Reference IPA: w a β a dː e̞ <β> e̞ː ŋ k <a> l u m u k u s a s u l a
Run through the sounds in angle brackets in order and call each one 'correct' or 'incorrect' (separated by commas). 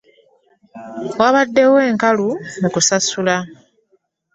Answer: incorrect, correct